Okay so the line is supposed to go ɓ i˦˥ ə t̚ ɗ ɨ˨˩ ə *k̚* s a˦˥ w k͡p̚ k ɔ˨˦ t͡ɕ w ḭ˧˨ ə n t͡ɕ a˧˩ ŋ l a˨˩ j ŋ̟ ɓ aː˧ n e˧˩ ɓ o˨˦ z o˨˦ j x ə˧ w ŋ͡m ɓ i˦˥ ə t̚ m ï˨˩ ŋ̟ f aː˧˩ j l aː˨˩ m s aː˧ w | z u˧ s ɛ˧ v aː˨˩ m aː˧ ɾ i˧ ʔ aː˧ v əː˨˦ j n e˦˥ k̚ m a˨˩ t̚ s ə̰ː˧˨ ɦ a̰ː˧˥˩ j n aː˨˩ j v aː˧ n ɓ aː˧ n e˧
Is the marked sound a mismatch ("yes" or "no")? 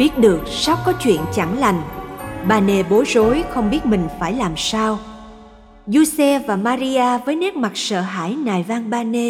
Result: no